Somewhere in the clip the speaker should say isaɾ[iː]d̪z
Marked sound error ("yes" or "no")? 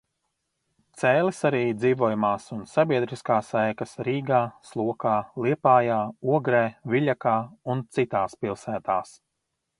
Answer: no